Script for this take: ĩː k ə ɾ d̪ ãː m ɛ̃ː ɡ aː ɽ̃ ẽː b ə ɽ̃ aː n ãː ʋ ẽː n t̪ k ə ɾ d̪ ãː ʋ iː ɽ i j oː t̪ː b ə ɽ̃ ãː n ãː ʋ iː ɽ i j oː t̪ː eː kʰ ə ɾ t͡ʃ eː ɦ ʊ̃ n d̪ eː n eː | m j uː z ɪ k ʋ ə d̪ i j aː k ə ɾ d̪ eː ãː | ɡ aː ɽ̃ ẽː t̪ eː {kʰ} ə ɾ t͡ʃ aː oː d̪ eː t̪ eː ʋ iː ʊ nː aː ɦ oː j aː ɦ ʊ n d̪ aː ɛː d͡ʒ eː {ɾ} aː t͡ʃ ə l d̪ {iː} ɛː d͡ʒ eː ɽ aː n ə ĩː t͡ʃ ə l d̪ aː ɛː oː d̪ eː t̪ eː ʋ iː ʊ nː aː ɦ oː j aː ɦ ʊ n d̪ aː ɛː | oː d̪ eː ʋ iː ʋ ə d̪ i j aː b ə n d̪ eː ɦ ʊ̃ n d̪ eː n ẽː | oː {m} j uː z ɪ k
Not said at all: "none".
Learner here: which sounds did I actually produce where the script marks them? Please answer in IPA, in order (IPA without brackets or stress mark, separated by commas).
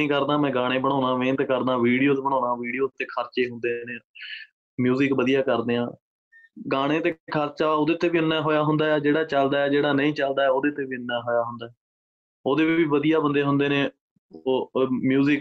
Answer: kʰ, ɽ, aː, m